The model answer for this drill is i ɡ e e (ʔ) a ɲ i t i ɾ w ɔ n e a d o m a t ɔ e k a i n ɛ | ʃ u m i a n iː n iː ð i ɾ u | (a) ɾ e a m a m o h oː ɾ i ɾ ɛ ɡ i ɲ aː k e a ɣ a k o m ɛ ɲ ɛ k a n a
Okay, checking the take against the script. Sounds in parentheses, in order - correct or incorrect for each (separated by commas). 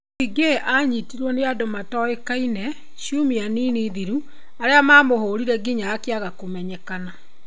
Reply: correct, correct